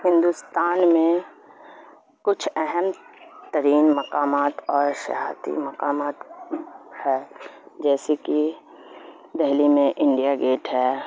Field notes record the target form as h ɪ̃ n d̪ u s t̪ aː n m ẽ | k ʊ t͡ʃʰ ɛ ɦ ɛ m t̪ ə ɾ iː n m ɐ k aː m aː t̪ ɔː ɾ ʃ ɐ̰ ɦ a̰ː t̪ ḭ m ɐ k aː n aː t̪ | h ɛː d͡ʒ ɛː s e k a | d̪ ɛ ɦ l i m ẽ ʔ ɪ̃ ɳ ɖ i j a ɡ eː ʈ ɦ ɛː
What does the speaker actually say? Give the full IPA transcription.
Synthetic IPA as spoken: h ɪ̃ n d̪ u s t̪ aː n m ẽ | k ʊ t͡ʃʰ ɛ ɦ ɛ m t̪ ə ɾ iː n m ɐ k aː m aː t̪ ɔː ɾ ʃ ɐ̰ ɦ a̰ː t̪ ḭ m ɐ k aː m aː t̪ | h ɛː d͡ʒ ɛː s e k i | d̪ ɛ ɦ l i m ẽ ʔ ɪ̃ ɳ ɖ i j a ɡ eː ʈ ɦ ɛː